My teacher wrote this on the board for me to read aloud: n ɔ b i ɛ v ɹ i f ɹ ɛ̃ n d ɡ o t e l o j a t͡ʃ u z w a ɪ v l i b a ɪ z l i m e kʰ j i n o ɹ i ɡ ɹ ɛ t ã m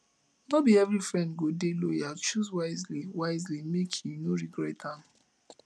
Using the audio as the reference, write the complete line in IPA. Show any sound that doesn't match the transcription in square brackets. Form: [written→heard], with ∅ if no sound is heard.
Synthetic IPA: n ɔ b i ɛ v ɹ i f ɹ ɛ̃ n d ɡ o [t→d] e l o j a t͡ʃ u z w a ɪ [v→z] l i [b→w] a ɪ z l i m e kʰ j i n o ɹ i ɡ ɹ ɛ t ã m